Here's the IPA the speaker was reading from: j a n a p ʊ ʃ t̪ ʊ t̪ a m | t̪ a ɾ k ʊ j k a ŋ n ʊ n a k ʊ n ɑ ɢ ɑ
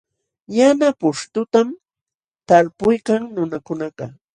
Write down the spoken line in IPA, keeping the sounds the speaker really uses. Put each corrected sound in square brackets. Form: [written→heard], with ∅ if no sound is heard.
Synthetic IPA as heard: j a n a p ʊ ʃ t̪ ʊ t̪ a m | t̪ a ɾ [k→p] ʊ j k a ŋ n ʊ n a k ʊ n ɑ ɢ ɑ